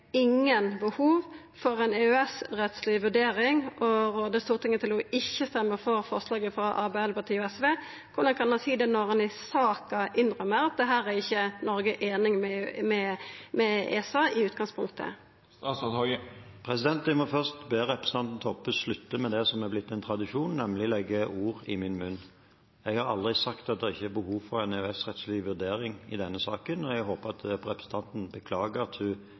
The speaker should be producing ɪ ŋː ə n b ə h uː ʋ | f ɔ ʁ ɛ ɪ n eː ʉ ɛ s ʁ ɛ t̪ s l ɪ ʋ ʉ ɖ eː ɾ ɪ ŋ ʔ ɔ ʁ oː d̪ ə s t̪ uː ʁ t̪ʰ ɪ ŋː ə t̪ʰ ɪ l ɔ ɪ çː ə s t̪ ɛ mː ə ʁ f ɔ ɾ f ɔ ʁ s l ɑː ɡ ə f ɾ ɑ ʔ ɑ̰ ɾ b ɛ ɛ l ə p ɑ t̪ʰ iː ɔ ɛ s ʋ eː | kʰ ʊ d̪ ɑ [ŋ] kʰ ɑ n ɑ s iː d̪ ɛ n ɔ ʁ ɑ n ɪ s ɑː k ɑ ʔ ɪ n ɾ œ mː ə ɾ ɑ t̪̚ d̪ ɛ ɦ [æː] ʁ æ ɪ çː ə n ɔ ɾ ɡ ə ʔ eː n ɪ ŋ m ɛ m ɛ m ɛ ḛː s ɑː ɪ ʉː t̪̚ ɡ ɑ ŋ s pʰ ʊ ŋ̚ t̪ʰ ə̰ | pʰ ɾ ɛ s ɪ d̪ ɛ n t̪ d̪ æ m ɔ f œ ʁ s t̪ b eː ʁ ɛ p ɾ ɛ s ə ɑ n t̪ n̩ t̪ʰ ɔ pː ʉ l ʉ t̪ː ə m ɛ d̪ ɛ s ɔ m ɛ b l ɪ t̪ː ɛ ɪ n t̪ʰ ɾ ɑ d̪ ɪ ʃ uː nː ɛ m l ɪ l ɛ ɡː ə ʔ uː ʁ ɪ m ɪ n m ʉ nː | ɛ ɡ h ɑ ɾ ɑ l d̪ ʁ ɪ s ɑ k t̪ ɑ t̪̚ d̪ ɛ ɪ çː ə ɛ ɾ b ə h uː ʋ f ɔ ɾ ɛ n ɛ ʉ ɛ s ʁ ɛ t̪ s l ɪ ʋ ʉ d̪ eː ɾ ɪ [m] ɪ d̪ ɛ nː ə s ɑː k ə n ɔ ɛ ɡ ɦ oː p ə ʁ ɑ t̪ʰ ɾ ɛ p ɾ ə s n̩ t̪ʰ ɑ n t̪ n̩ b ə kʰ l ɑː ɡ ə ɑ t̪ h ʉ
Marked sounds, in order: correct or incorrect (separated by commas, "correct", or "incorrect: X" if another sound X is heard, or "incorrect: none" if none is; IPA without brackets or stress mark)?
incorrect: n, correct, incorrect: ŋ